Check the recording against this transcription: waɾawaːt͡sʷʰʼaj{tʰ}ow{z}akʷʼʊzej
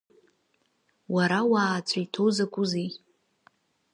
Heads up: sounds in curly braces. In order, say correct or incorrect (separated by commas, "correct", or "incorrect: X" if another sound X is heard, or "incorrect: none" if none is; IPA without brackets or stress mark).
correct, correct